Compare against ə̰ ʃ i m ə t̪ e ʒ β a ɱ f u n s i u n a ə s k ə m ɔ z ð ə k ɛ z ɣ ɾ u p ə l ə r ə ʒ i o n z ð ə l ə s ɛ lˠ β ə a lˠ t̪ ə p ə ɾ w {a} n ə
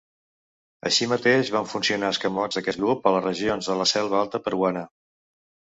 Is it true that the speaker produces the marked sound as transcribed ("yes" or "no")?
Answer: yes